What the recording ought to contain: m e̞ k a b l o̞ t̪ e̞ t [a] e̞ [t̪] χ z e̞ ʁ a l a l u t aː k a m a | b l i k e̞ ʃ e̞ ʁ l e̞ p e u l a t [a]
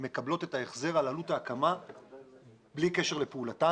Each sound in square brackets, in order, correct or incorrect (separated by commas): correct, incorrect, correct